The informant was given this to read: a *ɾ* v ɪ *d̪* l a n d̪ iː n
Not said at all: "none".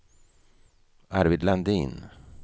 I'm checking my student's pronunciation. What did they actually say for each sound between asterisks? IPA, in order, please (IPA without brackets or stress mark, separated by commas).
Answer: ɾ, d̪